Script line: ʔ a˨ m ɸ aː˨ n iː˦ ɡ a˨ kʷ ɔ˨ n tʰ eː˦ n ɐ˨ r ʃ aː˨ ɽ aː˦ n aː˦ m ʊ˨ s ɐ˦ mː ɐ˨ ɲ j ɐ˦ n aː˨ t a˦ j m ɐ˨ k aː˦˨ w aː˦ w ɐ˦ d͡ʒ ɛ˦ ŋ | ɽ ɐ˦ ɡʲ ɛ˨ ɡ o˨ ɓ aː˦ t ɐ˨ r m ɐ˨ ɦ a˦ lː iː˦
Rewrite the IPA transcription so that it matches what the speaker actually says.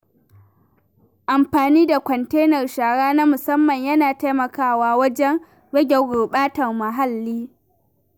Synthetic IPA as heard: ʔ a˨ m ɸ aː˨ n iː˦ d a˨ kʷ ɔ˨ n t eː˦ n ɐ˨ r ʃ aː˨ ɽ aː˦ n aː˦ m ʊ˨ s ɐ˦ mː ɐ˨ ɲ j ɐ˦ n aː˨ t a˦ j m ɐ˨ k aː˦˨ w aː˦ w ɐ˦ d͡ʒ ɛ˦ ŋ | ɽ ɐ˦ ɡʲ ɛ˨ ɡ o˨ ɓ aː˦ t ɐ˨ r m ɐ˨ ɦ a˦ lː iː˦